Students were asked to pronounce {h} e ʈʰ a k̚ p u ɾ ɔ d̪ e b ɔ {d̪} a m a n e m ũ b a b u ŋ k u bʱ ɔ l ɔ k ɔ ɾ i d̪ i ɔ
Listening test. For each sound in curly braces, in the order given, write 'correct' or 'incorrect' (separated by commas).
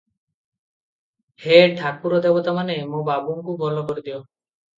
correct, incorrect